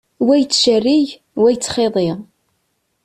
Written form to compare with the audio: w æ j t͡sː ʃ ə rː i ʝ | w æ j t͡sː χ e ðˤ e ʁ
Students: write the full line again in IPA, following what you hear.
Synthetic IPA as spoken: w æ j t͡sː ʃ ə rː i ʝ | w æ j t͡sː χ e ðˤ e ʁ

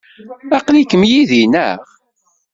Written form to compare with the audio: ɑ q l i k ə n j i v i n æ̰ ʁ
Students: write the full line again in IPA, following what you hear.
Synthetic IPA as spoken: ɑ q l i k ə m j i ð i n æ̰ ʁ

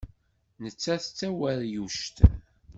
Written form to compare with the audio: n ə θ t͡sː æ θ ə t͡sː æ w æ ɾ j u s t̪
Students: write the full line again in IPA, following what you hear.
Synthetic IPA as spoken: n ə t͡sː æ θ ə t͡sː æ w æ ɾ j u ʃ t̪

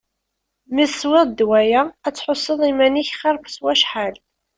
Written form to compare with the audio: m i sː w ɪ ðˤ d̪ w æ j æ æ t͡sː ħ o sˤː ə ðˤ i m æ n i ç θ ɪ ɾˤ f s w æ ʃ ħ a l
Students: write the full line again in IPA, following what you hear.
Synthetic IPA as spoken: m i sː w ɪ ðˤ d̪ w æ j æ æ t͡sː ħ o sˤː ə ðˤ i m æ n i ç χ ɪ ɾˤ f s w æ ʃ ħ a l

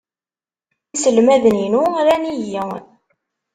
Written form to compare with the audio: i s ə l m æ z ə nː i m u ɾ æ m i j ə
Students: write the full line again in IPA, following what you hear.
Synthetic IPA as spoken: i s ə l m æ ð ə n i n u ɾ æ n i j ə

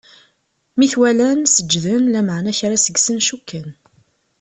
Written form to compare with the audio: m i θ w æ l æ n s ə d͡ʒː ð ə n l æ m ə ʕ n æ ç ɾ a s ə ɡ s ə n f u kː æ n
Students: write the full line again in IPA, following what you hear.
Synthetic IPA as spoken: m i θ w æ l æ n s ə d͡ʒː ð ə n l æ m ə ʕ n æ ç ɾ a s ə ɡ s ə n ʃ u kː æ n

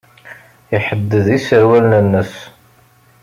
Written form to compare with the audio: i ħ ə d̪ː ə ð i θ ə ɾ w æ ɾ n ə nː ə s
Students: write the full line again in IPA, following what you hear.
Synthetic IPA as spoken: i ħ ə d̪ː ə ð i s ə ɾ w æ l n ə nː ə s

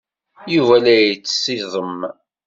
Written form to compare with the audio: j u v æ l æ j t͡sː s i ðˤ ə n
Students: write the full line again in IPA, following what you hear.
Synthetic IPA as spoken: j u v æ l æ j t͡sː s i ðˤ ə m

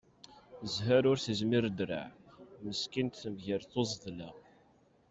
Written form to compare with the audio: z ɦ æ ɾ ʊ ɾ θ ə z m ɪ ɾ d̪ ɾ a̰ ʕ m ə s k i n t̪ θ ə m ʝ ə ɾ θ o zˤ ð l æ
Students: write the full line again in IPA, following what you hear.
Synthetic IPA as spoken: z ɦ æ ɾ ʊ ɾ θ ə z m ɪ ɾ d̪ ɾ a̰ ʕ m ə s k i n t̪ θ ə m ʝ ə ɾ θ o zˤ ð l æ

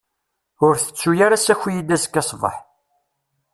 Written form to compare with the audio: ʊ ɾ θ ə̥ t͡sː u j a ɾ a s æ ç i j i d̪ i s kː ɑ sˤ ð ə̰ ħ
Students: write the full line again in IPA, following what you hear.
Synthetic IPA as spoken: ʊ ɾ θ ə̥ t͡sː u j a ɾ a s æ ç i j i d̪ æ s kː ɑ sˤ v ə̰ ħ

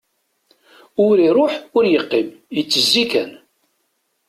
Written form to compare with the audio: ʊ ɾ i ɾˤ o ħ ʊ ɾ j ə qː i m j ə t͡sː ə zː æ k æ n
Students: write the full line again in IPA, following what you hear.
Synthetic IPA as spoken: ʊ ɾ i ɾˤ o ħ ʊ ɾ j ə qː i m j ə t͡sː ə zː i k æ n

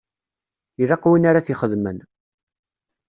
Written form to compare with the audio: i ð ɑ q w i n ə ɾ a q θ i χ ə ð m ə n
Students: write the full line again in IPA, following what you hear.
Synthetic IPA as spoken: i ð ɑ q w i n a ɾ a θ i χ ə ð m ə n

